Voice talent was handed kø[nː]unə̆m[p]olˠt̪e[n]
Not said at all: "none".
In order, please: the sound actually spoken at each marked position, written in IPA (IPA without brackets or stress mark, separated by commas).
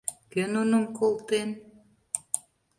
n, k, n